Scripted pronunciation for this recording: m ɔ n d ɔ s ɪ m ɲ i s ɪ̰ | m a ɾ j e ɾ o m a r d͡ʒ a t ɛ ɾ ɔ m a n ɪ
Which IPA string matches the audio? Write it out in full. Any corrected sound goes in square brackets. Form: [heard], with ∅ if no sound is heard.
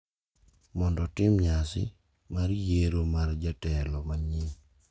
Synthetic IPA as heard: m ɔ n d ɔ [t] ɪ m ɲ [a] s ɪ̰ | m a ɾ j e ɾ o m a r d͡ʒ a t ɛ [l] ɔ m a [ɲ] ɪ